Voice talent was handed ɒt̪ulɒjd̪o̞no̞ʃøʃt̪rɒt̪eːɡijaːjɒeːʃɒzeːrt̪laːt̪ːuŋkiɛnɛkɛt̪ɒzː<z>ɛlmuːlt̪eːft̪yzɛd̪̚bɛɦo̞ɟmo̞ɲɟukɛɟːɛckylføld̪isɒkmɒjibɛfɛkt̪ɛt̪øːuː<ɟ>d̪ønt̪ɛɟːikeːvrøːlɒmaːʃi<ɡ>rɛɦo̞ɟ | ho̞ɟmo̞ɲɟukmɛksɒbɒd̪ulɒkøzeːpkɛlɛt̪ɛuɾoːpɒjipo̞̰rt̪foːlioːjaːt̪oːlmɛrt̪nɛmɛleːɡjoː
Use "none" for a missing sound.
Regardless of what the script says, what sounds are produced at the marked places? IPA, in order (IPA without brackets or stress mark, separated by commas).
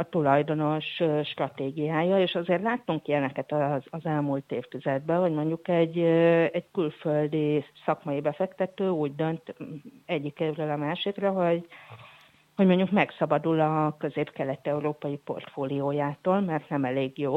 z, ɟ, k